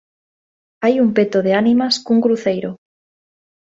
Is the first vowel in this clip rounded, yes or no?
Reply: no